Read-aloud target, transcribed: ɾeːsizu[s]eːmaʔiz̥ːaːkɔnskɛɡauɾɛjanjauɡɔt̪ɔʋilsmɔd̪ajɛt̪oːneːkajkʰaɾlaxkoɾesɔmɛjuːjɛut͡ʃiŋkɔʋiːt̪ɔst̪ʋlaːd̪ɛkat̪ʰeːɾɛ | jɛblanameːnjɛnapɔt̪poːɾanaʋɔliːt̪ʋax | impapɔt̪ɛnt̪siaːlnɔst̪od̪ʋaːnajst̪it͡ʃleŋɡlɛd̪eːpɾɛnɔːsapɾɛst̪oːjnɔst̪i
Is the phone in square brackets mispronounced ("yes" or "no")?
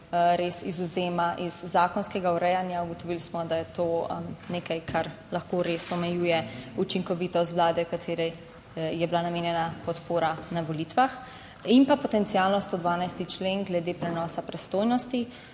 yes